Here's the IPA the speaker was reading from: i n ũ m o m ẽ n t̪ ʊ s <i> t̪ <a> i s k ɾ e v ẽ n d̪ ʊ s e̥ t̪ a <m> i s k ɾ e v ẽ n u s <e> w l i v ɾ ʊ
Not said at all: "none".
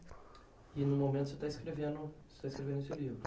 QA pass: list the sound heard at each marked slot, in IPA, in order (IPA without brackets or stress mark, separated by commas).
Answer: e, a, none, e